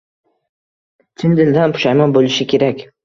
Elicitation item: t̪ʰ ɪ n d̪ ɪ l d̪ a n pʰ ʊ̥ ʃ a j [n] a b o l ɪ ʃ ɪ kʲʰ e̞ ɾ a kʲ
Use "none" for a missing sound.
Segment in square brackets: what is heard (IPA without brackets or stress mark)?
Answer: m